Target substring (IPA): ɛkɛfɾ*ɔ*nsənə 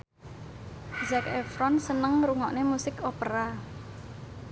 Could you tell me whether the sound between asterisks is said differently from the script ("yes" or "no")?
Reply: no